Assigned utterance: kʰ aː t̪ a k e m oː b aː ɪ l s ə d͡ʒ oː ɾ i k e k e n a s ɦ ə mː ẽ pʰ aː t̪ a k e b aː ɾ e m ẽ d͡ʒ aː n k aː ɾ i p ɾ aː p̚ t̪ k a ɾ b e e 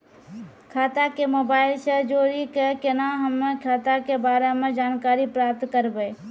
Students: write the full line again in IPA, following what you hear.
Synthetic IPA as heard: kʰ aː t̪ a k e m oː b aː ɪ l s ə d͡ʒ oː ɾ i k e k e n a ɦ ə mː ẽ kʰ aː t̪ a k e b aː ɾ e m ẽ d͡ʒ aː n k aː ɾ i p ɾ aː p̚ t̪ k ə ɾ b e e